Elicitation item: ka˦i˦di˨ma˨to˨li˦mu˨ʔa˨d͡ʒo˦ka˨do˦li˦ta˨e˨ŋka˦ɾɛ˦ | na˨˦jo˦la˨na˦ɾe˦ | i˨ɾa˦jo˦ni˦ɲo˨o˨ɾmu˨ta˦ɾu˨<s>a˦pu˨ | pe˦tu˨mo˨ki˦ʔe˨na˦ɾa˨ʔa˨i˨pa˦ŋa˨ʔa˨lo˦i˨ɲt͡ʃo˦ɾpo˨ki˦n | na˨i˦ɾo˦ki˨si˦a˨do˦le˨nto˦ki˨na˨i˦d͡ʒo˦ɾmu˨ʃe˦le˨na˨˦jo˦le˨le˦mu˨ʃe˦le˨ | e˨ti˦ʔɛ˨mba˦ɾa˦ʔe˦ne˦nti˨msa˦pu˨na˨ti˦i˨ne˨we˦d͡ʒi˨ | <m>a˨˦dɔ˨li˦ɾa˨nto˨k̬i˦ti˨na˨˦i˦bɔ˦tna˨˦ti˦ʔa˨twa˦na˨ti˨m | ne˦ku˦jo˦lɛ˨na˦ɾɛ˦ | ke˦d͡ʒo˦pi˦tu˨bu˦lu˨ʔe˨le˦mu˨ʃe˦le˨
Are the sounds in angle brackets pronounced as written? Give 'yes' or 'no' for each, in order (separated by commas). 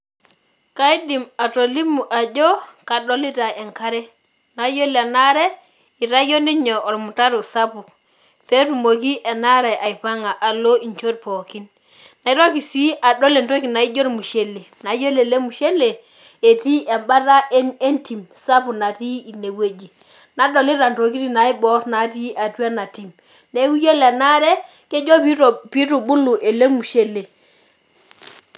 yes, no